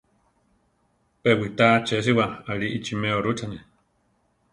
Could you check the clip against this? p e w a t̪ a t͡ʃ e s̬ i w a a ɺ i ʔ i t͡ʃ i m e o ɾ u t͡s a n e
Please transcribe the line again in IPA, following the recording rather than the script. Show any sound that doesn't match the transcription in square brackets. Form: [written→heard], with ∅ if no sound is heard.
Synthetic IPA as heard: p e w [a→i] t̪ a t͡ʃ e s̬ i w a a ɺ i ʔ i t͡ʃ i m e o ɾ u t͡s a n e